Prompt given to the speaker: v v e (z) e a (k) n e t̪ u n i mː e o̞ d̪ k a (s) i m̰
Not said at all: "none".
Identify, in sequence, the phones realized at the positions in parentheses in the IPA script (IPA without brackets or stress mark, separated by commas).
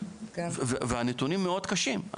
v, none, ʃ